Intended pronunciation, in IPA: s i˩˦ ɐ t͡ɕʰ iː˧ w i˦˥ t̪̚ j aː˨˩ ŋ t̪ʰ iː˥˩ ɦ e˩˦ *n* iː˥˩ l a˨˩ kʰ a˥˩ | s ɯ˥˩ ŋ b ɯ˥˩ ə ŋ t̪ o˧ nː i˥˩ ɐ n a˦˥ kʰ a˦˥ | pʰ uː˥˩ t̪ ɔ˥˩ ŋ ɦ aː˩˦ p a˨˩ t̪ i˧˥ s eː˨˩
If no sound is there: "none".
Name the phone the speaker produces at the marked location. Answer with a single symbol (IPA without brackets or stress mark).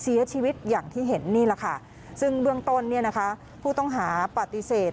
nː